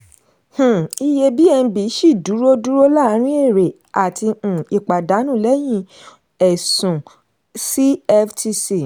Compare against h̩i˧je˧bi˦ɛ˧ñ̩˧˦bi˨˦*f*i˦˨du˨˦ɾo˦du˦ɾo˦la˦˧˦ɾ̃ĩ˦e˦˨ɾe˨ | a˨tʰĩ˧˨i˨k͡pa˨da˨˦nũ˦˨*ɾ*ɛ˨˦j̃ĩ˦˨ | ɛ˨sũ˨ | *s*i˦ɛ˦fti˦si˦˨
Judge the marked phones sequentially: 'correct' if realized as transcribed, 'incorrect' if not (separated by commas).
incorrect, incorrect, correct